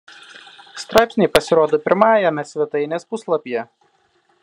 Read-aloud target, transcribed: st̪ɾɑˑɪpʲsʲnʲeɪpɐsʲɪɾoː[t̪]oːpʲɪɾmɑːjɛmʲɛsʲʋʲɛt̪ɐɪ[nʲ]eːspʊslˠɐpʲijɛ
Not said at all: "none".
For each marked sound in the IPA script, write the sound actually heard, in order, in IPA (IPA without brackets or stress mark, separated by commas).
d̪, nʲ